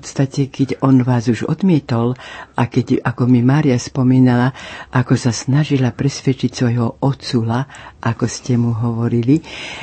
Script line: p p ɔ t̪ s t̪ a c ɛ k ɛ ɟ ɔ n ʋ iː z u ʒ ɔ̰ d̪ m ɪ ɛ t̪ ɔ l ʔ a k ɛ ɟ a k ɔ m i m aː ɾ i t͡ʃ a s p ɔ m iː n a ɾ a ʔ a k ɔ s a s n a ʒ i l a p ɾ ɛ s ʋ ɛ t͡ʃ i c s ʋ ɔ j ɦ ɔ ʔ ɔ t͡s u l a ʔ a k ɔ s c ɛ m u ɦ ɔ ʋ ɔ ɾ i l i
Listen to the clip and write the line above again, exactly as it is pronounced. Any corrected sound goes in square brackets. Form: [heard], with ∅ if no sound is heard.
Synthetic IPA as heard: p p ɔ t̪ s t̪ a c ɛ k ɛ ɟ ɔ n ʋ [aː] z u ʒ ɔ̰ d̪ m ɪ ɛ t̪ ɔ l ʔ a k ɛ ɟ a k ɔ m i m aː ɾ i [∅] a s p ɔ m iː n a [l] a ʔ a k ɔ s a s n a ʒ i l a p ɾ ɛ s ʋ ɛ t͡ʃ i c s ʋ ɔ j ɦ ɔ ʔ ɔ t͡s u l a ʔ a k ɔ s c ɛ m u ɦ ɔ ʋ ɔ ɾ i l i